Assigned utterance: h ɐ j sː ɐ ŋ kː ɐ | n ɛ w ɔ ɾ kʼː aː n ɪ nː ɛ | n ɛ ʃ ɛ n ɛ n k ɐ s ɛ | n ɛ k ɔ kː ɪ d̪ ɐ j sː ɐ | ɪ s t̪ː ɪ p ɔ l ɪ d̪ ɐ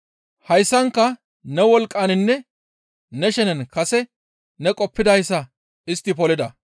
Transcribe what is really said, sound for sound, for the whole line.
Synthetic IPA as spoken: h ɐ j sː ɐ ŋ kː ɐ | n ɛ w ɔ l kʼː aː n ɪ nː ɛ | n ɛ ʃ ɛ n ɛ n k ɐ s ɛ | n ɛ kʼ ɔ pː ɪ d̪ ɐ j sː ɐ | ɪ s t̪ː ɪ p ɔ l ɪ d̪ ɐ